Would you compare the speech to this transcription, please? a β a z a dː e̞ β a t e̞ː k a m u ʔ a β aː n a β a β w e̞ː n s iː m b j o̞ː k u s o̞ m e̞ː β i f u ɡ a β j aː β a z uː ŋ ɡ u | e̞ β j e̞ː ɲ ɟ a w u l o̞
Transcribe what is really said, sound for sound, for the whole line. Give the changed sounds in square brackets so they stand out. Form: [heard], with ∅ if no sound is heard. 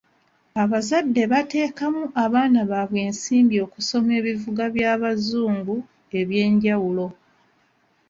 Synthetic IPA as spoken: a β a z a dː e̞ β a t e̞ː k a m u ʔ a β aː n a β a β w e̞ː n s iː m b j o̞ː k u s o̞ m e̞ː β i [v] u ɡ a β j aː β a z uː ŋ ɡ u | e̞ β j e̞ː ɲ ɟ a w u l o̞